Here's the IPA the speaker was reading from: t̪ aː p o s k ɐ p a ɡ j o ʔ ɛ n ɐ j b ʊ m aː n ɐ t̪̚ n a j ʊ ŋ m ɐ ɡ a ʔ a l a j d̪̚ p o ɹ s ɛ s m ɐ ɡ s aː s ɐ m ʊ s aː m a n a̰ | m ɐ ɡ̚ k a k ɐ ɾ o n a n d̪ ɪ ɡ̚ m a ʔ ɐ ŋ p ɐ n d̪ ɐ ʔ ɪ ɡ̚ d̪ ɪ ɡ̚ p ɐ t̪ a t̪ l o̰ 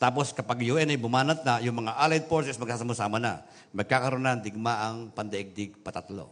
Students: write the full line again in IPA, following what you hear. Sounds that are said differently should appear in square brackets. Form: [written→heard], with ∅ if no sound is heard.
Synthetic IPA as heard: t̪ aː p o s k ɐ p a ɡ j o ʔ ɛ n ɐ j b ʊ m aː n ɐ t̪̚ n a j ʊ ŋ m ɐ [ɡ→ŋ] a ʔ a l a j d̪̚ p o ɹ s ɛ s m ɐ ɡ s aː s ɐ m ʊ s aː m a n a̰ | m ɐ ɡ̚ k a k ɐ ɾ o n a n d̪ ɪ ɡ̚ m a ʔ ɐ ŋ p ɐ n d̪ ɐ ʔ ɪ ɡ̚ d̪ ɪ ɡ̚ p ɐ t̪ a t̪ l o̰